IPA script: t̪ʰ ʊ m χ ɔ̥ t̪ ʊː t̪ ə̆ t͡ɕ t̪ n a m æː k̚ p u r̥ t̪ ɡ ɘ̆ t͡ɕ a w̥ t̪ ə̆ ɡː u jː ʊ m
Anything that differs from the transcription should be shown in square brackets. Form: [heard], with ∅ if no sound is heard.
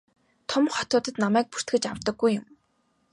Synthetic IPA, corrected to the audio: t̪ʰ ʊ m χ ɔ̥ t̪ ʊː t̪ ə̆ [∅] t̪ n a m æː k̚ p u r̥ t̪ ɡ ɘ̆ t͡ɕ a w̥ t̪ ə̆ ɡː u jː ʊ m